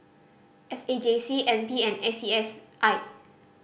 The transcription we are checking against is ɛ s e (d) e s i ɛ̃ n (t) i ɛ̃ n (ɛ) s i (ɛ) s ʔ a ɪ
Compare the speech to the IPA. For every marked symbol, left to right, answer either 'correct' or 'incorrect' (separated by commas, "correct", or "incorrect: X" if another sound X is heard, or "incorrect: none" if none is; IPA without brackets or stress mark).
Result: incorrect: d͡ʒ, incorrect: p, correct, correct